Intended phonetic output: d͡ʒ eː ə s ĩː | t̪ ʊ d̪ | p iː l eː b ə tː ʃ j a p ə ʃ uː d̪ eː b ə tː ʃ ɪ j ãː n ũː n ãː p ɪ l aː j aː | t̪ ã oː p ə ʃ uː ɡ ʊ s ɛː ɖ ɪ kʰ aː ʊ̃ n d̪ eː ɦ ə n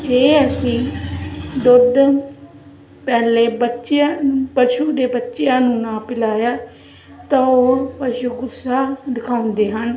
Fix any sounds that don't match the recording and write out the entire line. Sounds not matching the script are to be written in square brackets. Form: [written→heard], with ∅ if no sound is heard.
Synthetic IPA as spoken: d͡ʒ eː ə s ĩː | [t̪→d̪] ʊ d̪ | p [iː→ɛː] l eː b ə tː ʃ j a p ə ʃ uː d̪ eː b ə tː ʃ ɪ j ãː n ũː n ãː p ɪ l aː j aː | t̪ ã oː p ə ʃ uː ɡ ʊ s [ɛː→aː] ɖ ɪ kʰ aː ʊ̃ n d̪ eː ɦ ə n